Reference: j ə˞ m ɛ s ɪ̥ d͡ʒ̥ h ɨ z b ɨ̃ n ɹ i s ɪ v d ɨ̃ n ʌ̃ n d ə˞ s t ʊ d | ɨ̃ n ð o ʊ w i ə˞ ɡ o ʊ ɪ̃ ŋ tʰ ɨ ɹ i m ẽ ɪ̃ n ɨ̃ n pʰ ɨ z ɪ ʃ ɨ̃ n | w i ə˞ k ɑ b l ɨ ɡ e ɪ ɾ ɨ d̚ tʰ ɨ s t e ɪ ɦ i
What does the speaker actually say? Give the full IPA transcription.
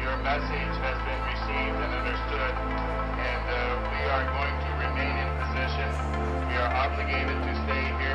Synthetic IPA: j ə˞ m ɛ s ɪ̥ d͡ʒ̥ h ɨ z b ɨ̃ n ɹ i s i v d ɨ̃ n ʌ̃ n d ə˞ s t ʊ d | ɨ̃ n ð o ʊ w i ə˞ ɡ o ʊ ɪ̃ ŋ tʰ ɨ ɹ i m ẽ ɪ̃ n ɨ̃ n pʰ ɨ z ɪ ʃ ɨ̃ n | w i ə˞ ʔ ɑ b l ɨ ɡ e ɪ ɾ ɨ d̚ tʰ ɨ s t e ɪ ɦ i